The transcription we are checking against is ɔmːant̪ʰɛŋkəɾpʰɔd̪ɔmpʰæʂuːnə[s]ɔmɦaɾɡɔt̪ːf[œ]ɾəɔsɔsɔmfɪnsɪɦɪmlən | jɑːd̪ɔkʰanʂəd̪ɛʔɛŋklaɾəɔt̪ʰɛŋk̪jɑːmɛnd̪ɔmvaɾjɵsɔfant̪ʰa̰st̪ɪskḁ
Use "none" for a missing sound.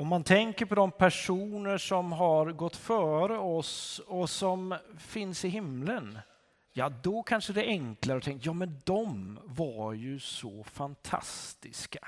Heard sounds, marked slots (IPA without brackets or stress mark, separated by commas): ʂ, œː